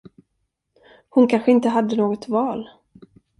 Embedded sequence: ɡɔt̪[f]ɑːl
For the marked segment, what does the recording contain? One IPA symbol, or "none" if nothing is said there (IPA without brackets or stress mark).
v